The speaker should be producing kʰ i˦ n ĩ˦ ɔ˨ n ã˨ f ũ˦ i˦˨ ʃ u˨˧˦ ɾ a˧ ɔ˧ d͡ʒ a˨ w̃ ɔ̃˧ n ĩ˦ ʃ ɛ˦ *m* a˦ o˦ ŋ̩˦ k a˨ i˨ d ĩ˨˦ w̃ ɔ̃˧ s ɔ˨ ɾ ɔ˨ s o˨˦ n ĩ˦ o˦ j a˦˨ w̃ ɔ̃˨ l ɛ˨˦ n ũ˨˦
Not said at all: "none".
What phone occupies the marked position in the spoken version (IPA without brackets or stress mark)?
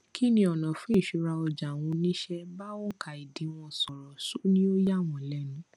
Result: b